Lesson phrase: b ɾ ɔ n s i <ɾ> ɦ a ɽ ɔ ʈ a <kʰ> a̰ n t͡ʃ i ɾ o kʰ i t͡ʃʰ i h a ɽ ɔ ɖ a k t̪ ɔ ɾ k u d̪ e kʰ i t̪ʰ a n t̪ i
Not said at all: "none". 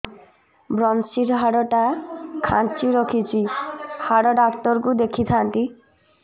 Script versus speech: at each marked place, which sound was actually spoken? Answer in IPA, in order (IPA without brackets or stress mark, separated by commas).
ɾ, kʰ